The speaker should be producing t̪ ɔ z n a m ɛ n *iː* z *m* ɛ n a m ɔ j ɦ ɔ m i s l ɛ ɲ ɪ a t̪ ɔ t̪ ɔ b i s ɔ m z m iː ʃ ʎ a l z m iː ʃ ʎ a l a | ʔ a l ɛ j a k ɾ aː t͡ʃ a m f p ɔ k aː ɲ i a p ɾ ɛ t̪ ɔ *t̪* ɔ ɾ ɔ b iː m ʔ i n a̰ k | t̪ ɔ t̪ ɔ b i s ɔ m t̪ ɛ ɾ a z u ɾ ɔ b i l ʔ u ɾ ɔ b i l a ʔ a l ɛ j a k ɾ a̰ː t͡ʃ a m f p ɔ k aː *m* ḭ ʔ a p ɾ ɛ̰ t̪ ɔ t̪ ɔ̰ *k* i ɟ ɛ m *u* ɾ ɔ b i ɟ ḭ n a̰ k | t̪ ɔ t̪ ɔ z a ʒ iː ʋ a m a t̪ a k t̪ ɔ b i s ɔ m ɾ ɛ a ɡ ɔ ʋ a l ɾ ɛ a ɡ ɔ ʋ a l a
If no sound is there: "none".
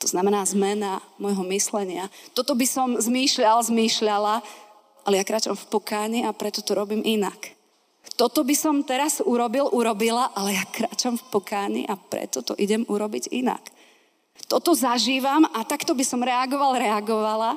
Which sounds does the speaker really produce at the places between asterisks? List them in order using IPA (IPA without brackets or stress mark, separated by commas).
aː, m, t̪, ɲ, ʔ, u